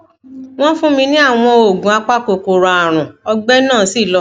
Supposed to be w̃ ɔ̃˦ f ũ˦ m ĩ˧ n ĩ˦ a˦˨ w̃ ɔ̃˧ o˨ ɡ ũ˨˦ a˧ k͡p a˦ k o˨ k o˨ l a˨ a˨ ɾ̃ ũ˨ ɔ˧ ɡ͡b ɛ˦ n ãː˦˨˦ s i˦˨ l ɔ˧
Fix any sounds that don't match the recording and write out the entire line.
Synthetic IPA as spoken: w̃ ɔ̃˦ f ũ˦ m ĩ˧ n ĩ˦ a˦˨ w̃ ɔ̃˧ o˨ ɡ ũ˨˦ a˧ k͡p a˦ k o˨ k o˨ ɾ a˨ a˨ ɾ̃ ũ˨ ɔ˧ ɡ͡b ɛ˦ n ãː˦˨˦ s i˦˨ l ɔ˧